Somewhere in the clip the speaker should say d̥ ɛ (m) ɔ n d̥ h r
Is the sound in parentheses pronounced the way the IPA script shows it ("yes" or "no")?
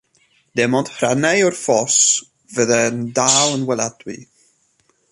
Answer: yes